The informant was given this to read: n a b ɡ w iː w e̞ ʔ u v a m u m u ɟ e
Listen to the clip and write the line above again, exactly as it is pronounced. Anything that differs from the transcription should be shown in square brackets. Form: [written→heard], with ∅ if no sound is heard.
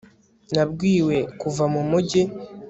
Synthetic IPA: n a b ɡ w iː w e̞ [ʔ→k] u v a m u m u ɟ e